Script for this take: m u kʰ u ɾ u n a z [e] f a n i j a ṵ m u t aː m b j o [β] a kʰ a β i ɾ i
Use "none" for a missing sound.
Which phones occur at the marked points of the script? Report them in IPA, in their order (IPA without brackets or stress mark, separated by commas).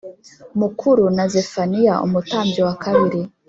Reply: e, w